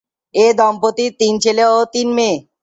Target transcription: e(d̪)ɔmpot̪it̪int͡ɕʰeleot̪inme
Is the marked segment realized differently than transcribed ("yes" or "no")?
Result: no